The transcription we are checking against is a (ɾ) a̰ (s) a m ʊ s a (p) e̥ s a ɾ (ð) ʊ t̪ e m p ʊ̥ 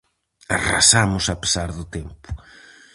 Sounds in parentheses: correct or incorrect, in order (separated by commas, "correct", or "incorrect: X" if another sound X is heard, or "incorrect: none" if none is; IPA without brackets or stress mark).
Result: incorrect: r, correct, correct, correct